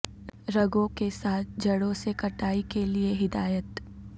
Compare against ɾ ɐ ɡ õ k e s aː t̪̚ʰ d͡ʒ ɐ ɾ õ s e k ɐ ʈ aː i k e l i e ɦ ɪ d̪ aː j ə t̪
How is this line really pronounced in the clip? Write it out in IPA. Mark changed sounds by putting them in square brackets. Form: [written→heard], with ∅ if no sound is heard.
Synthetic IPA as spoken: ɾ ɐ ɡ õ k e s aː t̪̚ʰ d͡ʒ ɐ [ɾ→ɽ] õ s e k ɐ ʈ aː i k e l i e ɦ ɪ d̪ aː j ə t̪